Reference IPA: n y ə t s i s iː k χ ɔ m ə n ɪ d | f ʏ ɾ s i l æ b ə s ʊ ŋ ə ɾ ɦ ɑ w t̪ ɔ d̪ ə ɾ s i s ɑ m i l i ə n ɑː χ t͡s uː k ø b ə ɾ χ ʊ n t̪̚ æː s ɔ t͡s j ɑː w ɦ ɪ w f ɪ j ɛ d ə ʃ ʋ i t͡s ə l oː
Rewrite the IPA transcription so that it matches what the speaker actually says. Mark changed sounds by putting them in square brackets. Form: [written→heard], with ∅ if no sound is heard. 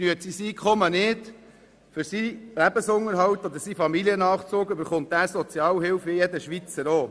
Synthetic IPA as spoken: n y ə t s i s iː k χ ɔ m ə n ɪ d | f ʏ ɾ s i l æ b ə s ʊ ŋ ə ɾ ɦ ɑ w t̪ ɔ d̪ ə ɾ s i [s→f] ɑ m i l i ə n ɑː χ t͡s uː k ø b ə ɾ χ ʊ n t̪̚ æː s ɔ t͡s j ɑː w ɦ ɪ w f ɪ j ɛ d ə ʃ ʋ i t͡s ə [l→ɾ] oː

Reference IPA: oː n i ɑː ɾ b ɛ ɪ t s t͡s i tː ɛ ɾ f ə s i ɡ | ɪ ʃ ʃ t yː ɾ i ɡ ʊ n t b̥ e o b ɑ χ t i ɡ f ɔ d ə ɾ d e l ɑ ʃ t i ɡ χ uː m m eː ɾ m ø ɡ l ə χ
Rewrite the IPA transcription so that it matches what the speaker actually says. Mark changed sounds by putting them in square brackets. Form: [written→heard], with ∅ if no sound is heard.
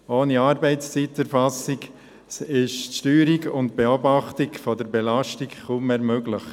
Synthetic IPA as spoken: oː n i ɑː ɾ b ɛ ɪ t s t͡s i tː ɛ ɾ f [ə→ɑ] s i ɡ | ɪ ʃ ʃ t yː ɾ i ɡ ʊ n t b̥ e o b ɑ χ t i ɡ f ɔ d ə ɾ [d→b] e l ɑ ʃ t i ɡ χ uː m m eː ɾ m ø ɡ l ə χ

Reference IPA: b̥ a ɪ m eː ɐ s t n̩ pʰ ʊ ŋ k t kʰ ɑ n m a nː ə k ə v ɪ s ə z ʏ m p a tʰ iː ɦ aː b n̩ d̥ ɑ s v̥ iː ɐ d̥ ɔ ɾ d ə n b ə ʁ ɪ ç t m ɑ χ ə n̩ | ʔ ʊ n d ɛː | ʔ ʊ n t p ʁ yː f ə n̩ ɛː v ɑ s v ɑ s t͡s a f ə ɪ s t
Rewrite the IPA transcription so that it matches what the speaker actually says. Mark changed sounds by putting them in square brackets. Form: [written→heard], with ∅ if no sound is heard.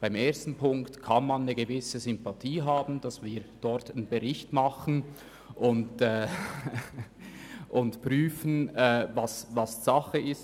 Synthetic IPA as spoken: b̥ a ɪ m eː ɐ s t n̩ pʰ ʊ ŋ k t kʰ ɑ n m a nː ə [k→ɡ] ə v ɪ s ə z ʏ m p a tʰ iː ɦ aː b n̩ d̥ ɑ s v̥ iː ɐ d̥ ɔ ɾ [d→t] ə n b ə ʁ ɪ ç t m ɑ χ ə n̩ | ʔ ʊ n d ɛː | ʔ ʊ n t p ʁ yː f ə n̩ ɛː v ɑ s v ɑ s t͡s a [f→χ] ə ɪ s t

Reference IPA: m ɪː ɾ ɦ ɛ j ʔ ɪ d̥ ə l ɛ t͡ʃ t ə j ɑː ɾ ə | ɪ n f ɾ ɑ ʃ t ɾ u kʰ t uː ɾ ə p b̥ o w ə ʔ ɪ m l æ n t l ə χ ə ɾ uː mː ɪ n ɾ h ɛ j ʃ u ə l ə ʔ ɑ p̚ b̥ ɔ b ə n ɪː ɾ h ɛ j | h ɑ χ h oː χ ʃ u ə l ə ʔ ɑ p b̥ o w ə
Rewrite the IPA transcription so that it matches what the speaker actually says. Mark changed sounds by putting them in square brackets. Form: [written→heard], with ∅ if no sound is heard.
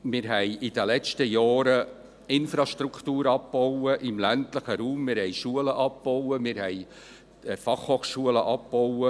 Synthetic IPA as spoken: m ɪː ɾ ɦ ɛ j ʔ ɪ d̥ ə l ɛ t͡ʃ t ə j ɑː ɾ ə | ɪ n f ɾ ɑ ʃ t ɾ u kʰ t uː ɾ [ə→ɑ] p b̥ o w ə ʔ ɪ m l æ n t l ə χ ə ɾ uː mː ɪ [n→∅] ɾ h ɛ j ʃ u ə l ə ʔ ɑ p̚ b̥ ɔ [b→w] ə [n→m] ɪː ɾ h ɛ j | [h→f] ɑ χ h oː χ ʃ u ə l ə ʔ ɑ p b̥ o w ə

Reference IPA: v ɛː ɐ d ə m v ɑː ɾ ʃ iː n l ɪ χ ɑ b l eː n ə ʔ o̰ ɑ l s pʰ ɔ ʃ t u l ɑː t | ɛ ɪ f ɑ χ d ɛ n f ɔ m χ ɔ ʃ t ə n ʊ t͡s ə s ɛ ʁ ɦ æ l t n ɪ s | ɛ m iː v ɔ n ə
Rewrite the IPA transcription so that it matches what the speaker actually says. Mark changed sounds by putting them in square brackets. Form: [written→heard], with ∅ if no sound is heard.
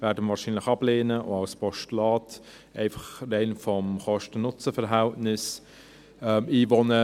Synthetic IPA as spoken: v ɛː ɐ d ə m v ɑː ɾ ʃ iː n l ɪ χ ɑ b l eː n ə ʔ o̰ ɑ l s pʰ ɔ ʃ t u l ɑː t | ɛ ɪ f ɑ χ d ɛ n f ɔ m χ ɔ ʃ t ə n ʊ t͡s ə [s→f] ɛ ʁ ɦ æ l t n ɪ s | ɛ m iː v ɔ n ə

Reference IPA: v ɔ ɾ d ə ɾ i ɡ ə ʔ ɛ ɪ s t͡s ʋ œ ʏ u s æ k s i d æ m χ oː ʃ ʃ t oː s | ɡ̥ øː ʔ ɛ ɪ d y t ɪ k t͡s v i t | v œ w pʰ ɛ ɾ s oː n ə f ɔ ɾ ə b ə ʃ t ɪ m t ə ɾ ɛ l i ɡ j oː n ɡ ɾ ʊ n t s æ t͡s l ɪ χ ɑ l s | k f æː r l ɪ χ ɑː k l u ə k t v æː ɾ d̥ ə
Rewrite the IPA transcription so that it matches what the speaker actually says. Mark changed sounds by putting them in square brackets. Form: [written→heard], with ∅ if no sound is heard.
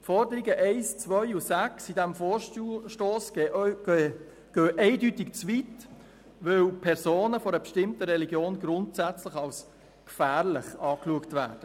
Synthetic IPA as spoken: [v→f] ɔ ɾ d ə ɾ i ɡ ə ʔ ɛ ɪ s t͡s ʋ œ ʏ u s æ k s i d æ m [χ→f] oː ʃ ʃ t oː s | ɡ̥ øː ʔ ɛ ɪ d y t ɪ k t͡s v i t | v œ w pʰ ɛ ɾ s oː n ə f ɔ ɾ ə b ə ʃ t ɪ m t ə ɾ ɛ l i ɡ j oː n ɡ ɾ ʊ n t s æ t͡s l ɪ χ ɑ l s | k f æː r l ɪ χ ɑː k l u ə k t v æː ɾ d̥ ə

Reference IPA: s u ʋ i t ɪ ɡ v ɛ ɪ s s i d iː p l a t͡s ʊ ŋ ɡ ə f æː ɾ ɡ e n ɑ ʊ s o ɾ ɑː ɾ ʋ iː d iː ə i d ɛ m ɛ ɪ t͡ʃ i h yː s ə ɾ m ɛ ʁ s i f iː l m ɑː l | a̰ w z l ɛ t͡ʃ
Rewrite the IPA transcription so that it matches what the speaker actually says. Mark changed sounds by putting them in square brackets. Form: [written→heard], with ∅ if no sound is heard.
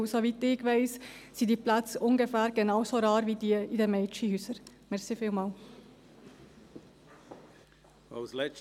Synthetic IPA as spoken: s [u→o] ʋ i t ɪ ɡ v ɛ ɪ s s i d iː p l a t͡s ʊ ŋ ɡ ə f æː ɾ ɡ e n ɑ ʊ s o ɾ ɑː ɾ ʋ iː d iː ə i d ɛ m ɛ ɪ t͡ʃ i h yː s ə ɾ m ɛ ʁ s i f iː l m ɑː l | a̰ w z l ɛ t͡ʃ

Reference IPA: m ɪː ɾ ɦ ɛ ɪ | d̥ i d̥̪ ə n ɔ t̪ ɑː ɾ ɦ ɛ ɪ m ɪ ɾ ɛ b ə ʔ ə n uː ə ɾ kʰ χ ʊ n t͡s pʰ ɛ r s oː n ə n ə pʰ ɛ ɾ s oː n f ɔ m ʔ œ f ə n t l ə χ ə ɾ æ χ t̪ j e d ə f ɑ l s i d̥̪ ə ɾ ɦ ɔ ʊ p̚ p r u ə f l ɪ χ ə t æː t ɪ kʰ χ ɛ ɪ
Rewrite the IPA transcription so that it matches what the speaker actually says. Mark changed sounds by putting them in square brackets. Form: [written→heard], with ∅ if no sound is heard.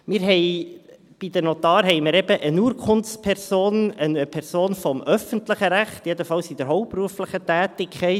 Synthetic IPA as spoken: m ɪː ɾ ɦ ɛ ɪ | [d̥→b̥] i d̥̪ ə n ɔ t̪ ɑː ɾ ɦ ɛ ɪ m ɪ ɾ ɛ b ə ʔ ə n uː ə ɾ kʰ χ ʊ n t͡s pʰ ɛ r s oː n ə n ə pʰ ɛ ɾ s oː n f ɔ m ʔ œ f ə n t l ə χ ə ɾ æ χ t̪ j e d ə f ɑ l s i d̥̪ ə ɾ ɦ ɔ ʊ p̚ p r u ə f l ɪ χ ə t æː t ɪ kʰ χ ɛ ɪ

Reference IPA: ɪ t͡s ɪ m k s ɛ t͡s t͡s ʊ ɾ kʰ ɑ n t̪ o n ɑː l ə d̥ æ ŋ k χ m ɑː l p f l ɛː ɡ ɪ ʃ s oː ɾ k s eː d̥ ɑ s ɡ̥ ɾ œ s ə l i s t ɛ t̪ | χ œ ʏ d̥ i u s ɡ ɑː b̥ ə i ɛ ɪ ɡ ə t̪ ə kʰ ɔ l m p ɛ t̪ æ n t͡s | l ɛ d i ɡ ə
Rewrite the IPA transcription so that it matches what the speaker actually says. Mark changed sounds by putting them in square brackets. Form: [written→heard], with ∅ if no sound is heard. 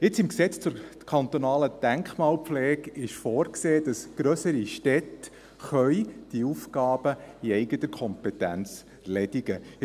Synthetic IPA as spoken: ɪ t͡s ɪ m k s ɛ t͡s t͡s ʊ ɾ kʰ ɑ n t̪ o n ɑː l ə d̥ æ ŋ k χ m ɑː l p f l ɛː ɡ ɪ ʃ [s→f] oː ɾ k s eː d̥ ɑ s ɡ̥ ɾ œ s ə [l→ɾ] i [s→ʃ] t ɛ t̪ | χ œ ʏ d̥ i u [s→f] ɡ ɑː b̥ ə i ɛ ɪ ɡ ə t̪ ə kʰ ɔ [l→∅] m p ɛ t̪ æ n t͡s | l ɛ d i ɡ ə

